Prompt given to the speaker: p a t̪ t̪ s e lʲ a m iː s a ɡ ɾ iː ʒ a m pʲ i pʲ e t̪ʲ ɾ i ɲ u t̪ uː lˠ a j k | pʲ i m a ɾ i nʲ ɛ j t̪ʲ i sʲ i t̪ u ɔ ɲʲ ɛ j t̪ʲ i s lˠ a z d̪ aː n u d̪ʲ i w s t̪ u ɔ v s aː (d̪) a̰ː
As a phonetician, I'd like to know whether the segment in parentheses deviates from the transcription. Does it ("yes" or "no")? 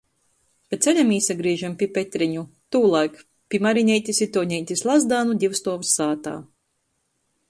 yes